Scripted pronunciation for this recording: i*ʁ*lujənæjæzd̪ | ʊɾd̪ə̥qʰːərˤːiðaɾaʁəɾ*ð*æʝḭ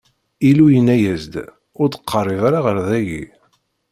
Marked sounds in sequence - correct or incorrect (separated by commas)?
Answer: incorrect, correct